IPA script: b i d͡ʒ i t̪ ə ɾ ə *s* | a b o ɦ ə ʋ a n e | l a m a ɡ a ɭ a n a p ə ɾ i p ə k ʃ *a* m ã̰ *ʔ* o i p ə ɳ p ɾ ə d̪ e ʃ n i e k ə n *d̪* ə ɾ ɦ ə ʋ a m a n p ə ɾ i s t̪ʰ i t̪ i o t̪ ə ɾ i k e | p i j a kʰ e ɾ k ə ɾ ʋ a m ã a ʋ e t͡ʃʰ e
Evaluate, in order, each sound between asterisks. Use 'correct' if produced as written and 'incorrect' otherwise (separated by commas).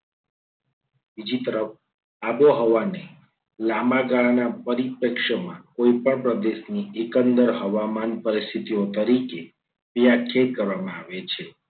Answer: incorrect, incorrect, incorrect, correct